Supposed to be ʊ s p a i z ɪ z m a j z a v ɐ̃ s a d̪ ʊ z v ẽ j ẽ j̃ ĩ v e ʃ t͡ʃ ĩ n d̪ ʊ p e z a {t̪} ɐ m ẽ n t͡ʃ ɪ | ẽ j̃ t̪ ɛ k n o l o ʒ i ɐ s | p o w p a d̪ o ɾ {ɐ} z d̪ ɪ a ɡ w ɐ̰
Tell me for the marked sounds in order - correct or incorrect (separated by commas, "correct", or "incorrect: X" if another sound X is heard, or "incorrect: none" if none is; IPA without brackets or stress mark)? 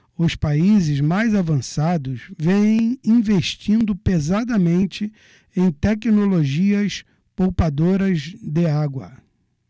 incorrect: d̪, correct